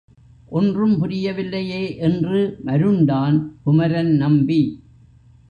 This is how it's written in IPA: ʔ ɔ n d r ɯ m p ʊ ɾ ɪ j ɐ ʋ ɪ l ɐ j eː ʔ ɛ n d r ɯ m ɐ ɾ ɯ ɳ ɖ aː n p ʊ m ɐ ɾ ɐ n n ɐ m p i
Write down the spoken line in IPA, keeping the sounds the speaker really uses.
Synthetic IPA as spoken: ʔ ɔ n d r ɯ m p ʊ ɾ ɪ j ɐ ʋ ɪ lː ɐ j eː ʔ ɛ n d r ɯ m ɐ ɾ ɯ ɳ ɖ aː n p ʊ m ɐ ɾ ɐ n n ɐ m b i